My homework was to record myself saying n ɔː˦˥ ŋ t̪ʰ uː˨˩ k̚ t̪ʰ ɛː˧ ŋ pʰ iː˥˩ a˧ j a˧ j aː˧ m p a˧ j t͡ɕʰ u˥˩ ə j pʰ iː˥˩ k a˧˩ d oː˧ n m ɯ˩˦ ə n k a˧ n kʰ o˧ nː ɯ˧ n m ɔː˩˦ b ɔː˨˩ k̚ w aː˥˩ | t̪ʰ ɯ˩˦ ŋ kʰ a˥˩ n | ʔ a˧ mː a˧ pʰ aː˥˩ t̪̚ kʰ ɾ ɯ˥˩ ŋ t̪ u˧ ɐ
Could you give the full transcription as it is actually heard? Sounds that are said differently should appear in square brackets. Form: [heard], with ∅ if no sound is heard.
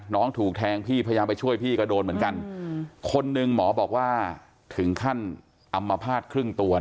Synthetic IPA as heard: n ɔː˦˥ ŋ t̪ʰ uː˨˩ k̚ t̪ʰ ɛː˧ ŋ pʰ iː˥˩ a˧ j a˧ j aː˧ m p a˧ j t͡ɕʰ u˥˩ ə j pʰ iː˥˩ k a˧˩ d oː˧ n m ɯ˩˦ ə n k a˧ n kʰ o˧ nː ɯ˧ [ŋ] m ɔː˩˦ b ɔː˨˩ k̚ w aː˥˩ | t̪ʰ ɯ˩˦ ŋ kʰ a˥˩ n | ʔ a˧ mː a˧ pʰ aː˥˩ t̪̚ kʰ ɾ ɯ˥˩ ŋ t̪ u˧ ɐ